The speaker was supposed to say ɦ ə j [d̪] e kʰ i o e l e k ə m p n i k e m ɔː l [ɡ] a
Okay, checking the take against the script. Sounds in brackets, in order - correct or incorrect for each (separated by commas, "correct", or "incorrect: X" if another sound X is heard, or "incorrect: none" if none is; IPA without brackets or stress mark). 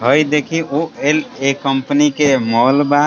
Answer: correct, incorrect: b